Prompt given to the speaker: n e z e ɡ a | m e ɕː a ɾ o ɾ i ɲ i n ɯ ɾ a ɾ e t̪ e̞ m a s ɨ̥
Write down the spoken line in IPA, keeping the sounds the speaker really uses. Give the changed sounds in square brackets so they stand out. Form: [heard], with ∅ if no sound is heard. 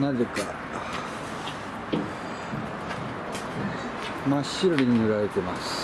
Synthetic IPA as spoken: n [a] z e [k] a | m [a] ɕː [i] ɾ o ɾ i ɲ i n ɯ ɾ a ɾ e t̪ e̞ m a s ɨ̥